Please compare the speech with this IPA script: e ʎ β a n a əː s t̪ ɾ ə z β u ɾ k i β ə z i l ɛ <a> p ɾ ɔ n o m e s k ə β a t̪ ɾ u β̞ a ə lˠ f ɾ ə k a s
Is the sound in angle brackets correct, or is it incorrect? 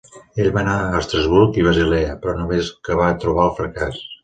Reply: incorrect